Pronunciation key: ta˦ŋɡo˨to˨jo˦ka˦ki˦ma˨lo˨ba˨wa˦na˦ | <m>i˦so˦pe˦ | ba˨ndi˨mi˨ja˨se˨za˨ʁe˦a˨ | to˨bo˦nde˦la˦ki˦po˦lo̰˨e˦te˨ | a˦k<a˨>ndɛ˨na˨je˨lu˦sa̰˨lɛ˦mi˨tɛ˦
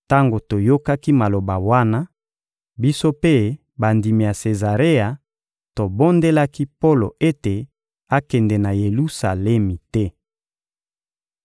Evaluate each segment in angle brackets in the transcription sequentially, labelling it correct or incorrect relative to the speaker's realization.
incorrect: b, incorrect: ɛ˨

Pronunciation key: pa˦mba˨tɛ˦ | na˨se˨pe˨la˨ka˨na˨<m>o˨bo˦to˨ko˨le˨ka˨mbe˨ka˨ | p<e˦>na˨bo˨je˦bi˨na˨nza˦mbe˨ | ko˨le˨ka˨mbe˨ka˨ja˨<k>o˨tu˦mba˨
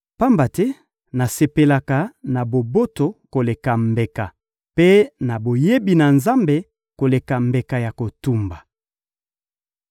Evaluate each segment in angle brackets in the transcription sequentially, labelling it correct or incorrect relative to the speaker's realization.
incorrect: b, correct, correct

